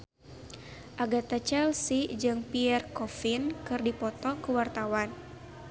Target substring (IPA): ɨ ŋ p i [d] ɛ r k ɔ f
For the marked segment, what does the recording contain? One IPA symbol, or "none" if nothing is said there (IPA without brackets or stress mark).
none